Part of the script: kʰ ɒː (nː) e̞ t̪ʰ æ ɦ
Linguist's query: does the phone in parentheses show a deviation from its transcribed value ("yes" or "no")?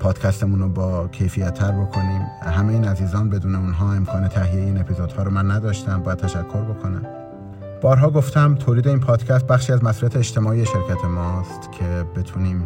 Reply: yes